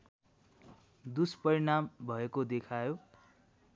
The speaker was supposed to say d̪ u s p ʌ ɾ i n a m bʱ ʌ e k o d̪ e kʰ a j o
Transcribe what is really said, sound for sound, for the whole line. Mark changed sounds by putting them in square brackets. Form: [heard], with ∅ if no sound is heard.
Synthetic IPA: d̪ u s p ʌ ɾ i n a m bʱ ʌ e k o d̪ e kʰ a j o